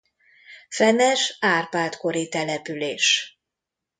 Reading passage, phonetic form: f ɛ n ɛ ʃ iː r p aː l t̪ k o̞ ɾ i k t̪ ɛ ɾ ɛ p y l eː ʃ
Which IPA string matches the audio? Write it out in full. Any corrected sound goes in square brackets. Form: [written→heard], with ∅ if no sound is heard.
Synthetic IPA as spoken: f ɛ n ɛ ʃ [iː→aː] r p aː l t̪ k o̞ ɾ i [k→∅] t̪ ɛ [ɾ→l] ɛ p y l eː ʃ